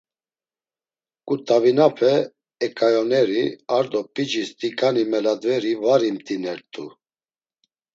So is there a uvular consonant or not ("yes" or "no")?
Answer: no